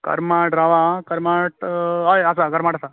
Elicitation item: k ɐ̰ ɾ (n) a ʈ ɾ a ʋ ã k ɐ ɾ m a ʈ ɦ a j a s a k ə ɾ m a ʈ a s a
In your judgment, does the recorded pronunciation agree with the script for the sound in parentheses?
no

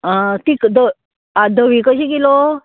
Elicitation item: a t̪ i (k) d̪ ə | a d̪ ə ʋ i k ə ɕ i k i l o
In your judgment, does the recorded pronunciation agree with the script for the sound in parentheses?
yes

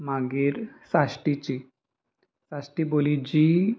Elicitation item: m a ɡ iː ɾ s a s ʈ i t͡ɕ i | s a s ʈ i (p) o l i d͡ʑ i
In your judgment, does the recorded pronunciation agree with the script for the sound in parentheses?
no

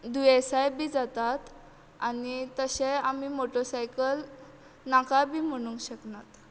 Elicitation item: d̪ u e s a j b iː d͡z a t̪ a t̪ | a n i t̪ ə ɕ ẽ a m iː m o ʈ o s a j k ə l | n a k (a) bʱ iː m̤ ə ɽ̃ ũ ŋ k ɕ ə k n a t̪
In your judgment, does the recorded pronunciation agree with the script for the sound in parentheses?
yes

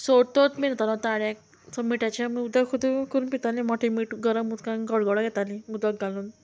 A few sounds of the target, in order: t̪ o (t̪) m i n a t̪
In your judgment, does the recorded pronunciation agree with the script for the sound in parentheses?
yes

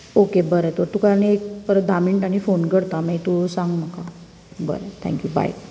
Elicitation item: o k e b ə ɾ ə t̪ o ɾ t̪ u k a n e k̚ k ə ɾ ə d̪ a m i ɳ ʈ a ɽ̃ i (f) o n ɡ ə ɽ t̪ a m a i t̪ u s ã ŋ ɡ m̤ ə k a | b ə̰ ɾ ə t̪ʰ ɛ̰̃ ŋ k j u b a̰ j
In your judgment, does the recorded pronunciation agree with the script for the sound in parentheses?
yes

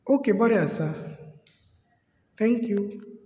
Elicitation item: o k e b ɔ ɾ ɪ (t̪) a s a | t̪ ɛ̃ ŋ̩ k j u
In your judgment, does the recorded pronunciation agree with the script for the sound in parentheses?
no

